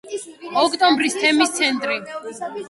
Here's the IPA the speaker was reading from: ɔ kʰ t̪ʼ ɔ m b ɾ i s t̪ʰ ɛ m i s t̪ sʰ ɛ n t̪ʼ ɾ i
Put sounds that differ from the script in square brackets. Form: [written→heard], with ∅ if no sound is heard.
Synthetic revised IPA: ɔ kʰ t̪ʼ ɔ m b ɾ i s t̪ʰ ɛ m i s t̪ sʰ ɛ n t̪ʼ ɾ i